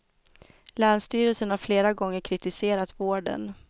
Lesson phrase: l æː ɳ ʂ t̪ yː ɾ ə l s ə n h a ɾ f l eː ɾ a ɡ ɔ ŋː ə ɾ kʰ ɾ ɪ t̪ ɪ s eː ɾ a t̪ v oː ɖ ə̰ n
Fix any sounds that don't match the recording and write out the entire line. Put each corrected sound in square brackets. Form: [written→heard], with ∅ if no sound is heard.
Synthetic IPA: l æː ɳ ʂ t̪ yː ɾ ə l s ə n h a ɾ f l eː ɾ a ɡ ɔ ŋː ə ɾ kʰ ɾ ɪ t̪ ɪ s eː ɾ a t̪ v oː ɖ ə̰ n